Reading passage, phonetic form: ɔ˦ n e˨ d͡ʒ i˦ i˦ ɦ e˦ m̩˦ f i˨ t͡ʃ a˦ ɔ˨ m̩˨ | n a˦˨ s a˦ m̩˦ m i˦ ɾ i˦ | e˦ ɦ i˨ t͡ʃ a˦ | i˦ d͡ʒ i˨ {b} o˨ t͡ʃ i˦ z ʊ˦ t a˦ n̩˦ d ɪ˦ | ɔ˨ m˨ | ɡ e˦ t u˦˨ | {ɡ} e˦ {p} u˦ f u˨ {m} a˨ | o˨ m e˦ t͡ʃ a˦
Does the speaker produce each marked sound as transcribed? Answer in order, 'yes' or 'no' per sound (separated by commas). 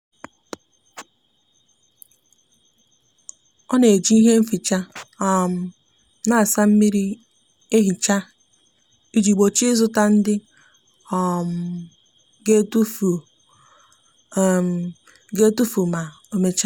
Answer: no, yes, no, yes